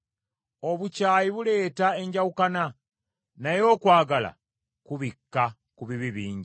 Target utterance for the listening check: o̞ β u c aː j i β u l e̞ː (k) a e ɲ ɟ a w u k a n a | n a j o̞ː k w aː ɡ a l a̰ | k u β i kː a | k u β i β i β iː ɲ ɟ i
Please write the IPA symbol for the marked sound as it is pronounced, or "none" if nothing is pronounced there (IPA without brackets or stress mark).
t